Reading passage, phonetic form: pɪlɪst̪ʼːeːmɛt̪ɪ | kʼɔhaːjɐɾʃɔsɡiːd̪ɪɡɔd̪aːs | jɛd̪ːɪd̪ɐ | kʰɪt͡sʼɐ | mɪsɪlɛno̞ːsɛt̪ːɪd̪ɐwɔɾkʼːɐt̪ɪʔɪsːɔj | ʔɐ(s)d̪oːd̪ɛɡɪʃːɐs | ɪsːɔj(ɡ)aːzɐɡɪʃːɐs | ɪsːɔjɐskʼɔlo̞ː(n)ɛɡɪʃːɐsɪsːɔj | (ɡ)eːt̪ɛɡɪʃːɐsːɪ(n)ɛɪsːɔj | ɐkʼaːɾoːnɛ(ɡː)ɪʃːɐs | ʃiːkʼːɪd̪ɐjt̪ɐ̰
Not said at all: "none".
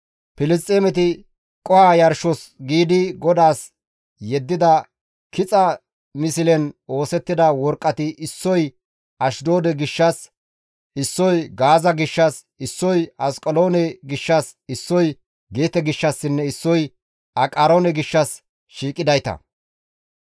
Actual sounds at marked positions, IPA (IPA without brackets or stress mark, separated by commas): ʃ, ɡ, n, ɡ, nː, ɡ